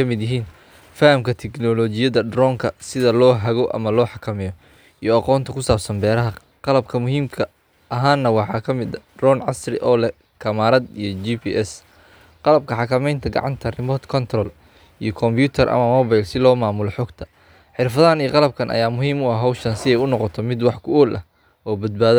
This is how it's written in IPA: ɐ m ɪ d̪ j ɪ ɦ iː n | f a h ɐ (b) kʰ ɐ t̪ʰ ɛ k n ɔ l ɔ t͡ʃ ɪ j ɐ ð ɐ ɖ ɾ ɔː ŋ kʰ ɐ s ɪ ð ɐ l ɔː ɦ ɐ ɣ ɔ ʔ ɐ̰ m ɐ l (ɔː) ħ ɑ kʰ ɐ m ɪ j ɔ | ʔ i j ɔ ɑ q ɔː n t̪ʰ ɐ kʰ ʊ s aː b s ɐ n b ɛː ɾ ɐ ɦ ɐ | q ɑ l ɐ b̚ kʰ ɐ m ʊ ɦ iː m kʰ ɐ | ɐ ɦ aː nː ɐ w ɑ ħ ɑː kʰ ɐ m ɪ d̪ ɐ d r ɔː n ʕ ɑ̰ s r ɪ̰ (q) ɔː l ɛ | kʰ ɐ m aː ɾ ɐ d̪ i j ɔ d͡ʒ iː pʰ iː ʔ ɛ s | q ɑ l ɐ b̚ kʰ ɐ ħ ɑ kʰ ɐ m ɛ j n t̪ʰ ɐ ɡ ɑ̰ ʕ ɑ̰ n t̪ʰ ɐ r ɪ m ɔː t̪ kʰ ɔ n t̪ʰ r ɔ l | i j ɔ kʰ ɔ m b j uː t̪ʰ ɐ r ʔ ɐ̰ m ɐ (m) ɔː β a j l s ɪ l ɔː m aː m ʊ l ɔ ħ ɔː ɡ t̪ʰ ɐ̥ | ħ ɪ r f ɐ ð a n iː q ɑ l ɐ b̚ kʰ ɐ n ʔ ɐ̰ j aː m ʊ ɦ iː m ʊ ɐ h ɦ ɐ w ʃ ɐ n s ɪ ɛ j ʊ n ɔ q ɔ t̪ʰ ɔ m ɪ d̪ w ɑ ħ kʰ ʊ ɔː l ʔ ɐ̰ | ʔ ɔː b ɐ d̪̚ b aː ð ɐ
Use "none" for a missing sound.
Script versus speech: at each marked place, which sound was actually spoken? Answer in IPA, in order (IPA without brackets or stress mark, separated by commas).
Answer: m, ɔː, ʔ, m